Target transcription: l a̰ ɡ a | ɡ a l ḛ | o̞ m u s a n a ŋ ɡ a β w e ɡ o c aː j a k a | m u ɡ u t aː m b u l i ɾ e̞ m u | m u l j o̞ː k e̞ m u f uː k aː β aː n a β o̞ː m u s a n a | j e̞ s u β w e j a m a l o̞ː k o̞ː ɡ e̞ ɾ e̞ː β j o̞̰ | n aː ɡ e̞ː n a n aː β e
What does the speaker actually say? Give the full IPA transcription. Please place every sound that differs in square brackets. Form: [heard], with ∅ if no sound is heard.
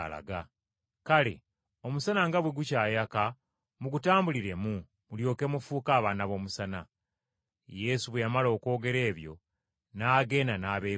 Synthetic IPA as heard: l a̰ ɡ a | [k] a l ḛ | o̞ m u s a n a ŋ ɡ a β w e ɡ [u] c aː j a k a | m u ɡ u t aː m b u l i ɾ e̞ m u | m u l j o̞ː k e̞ m u f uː k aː β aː n a β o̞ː m u s a n a | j e̞ s u β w e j a m a l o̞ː k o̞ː ɡ e̞ ɾ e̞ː β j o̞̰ | n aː ɡ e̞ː n a n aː β e

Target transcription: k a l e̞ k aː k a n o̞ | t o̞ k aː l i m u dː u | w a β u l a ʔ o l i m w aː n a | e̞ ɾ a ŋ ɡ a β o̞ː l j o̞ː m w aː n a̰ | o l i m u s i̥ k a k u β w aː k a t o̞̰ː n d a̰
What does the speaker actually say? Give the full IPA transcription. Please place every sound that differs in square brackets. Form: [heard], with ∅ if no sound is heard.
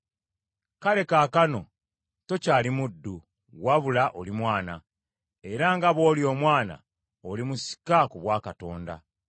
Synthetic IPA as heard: k a l e̞ k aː k a n o̞ | t o̞ [c] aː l i m u dː u | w a β u l a ʔ o l i m w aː n a | e̞ ɾ a ŋ ɡ a β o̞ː l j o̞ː m w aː n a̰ | o l i m u s i̥ k a k u β w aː k a t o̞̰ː n d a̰

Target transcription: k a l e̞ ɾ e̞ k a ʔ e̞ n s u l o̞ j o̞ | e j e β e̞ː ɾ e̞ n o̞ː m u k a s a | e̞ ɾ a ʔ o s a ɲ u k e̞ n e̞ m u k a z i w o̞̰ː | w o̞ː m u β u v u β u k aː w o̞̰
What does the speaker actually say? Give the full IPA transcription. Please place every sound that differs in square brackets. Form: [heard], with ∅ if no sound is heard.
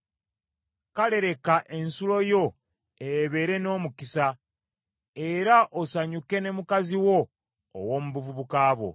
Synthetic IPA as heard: k a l e̞ ɾ e̞ k a ʔ e̞ n s u l o̞ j o̞ | e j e β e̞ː ɾ e̞ n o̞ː m u k [i] s a | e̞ ɾ a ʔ o s a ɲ u k e̞ n e̞ m u k a z i w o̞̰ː | w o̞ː m u β u v u β u k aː [β] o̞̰

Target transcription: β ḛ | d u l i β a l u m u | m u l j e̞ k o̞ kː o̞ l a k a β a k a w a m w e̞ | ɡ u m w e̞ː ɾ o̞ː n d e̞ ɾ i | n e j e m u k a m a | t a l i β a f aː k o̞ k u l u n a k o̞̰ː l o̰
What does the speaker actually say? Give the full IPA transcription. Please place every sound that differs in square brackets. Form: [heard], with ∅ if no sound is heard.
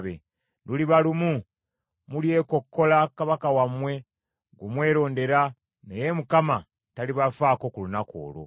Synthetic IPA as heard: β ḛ | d u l i β a l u m u | m u l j e̞ k o̞ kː o̞ l a k a β a k a w a m w e̞ | ɡ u m w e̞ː ɾ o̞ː n d e̞ ɾ [a] | n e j e m u k a m a | t a l i β a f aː k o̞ k u l u n a k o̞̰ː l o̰

